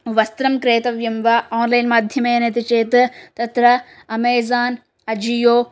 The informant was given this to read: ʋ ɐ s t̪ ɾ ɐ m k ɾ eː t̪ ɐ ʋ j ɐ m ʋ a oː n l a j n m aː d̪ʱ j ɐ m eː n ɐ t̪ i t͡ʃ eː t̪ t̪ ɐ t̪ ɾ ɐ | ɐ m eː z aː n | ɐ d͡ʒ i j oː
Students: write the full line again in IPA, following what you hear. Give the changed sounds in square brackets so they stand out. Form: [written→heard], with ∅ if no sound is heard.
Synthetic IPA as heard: ʋ ɐ s t̪ ɾ ɐ m k ɾ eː t̪ ɐ ʋ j ɐ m ʋ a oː n l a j n m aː d̪ʱ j ɐ m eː n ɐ t̪ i t͡ʃ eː t̪ t̪ ɐ t̪ ɾ ɐ | ɐ m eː z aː n | ɐ d͡ʒ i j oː